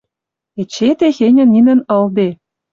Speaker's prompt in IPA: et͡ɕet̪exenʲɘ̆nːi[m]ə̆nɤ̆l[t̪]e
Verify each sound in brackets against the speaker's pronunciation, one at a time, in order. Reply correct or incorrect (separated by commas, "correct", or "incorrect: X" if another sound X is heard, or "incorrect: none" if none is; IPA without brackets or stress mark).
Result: incorrect: n, incorrect: d̪